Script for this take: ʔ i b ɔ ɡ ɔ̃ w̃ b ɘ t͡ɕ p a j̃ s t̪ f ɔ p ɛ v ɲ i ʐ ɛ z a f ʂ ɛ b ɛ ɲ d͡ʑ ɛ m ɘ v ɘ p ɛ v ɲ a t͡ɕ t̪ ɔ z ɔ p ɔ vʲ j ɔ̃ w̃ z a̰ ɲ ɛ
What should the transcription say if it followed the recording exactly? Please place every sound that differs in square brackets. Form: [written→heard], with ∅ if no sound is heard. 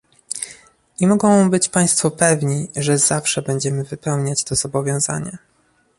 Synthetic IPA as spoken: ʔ i [b→m] ɔ ɡ ɔ̃ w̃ b ɘ t͡ɕ p a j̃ s t̪ f ɔ p ɛ v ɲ i ʐ ɛ z a f ʂ ɛ b ɛ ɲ d͡ʑ ɛ m ɘ v ɘ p ɛ [v→w] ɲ a t͡ɕ t̪ ɔ z ɔ [p→b] ɔ vʲ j ɔ̃ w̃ z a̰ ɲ ɛ